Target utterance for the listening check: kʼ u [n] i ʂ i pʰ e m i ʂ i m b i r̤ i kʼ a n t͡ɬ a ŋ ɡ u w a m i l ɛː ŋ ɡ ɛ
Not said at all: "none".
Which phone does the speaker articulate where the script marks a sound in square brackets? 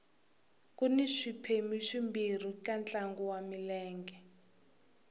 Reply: n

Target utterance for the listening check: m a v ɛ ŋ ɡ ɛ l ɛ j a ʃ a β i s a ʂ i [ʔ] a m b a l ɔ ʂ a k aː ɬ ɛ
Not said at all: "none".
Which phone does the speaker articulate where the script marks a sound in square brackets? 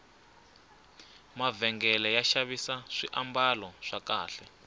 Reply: ʔ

